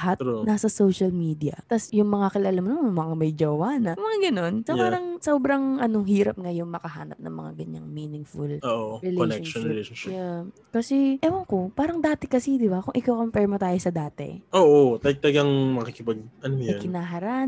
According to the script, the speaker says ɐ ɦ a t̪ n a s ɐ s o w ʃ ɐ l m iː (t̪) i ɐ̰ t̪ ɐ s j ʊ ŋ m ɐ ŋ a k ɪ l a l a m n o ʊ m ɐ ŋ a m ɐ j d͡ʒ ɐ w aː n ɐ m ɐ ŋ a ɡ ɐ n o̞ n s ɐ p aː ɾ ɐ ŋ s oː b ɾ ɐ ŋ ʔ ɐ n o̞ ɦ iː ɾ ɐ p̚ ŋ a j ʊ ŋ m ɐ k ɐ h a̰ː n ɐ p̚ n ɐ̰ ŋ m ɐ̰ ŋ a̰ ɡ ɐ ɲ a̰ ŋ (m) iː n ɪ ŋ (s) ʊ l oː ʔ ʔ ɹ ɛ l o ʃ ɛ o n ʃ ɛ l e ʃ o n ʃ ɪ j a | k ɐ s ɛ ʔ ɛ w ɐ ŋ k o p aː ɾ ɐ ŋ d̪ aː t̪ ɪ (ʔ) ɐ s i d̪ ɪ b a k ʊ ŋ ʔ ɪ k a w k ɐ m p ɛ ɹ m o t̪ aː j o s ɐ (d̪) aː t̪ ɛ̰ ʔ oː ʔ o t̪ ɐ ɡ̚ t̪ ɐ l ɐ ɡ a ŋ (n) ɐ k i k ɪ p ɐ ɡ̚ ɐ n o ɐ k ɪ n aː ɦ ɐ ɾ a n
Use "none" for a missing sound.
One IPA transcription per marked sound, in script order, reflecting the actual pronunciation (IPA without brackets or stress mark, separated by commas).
d̪, m, f, k, d̪, m